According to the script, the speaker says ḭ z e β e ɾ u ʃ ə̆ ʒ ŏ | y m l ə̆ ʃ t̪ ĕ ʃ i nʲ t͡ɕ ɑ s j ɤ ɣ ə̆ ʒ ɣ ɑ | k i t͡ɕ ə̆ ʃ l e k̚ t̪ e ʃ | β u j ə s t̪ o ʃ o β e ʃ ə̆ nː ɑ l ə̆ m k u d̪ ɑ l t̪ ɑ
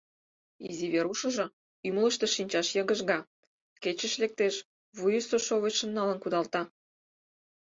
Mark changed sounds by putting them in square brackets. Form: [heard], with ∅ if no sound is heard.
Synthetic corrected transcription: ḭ z [i] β e ɾ u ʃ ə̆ ʒ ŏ | y m l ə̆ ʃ t̪ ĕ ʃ i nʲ t͡ɕ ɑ [ʃ] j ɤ ɣ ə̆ ʒ ɣ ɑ | k [e] t͡ɕ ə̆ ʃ l e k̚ t̪ e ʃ | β u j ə s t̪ o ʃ o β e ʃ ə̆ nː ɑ l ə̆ [n] k u d̪ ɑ l t̪ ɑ